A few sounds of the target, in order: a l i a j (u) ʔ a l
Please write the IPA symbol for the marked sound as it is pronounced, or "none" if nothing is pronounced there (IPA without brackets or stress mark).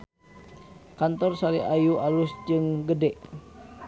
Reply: u